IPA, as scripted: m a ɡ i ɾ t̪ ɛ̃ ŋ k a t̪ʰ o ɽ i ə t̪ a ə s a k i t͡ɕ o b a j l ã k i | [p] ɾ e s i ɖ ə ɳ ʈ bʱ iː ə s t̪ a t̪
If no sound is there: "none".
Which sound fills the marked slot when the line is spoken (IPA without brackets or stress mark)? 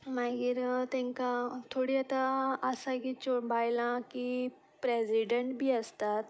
p